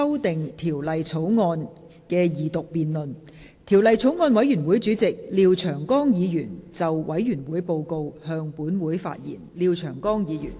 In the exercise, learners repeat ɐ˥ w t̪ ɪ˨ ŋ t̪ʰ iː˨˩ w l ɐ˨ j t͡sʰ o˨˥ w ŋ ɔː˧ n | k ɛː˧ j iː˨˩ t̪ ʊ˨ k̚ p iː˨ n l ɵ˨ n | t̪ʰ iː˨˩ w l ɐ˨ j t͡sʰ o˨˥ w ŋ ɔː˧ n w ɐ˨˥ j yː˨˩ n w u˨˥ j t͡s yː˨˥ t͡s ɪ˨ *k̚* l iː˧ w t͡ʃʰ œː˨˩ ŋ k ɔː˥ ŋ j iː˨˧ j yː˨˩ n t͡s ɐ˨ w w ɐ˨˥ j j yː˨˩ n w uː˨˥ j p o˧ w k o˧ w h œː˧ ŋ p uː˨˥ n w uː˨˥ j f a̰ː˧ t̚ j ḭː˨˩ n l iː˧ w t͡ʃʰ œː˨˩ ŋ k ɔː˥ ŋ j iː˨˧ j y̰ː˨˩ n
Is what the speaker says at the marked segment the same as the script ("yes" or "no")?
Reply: yes